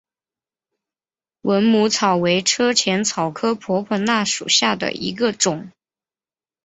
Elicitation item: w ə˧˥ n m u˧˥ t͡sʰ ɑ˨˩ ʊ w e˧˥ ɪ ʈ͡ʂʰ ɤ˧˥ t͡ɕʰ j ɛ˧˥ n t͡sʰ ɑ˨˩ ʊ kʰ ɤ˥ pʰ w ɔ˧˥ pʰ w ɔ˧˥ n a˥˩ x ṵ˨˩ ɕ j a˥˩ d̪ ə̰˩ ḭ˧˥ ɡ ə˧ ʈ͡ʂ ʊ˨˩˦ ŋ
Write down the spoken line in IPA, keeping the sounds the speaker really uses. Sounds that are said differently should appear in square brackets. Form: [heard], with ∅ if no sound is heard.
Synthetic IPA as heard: w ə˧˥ n m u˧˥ t͡sʰ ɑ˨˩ ʊ w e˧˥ ɪ ʈ͡ʂʰ [ɤ˥] t͡ɕʰ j ɛ˧˥ n t͡sʰ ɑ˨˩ ʊ kʰ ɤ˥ pʰ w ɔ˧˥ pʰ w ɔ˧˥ n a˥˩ [ʂ] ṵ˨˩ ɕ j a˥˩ d̪ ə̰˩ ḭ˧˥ ɡ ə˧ ʈ͡ʂ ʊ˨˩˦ ŋ